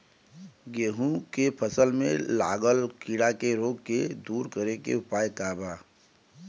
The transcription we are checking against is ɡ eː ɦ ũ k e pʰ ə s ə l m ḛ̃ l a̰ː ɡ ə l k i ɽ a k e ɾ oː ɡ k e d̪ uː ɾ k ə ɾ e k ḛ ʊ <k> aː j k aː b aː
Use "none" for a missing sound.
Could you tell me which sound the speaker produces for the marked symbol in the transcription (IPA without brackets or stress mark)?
p